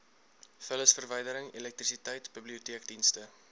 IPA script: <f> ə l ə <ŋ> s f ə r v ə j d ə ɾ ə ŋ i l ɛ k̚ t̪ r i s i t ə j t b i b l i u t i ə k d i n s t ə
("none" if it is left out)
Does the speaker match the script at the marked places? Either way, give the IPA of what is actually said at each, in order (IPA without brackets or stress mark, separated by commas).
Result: f, none